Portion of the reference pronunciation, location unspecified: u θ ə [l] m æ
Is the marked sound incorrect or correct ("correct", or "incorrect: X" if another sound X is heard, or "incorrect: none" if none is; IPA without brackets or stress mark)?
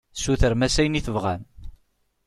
incorrect: ɾ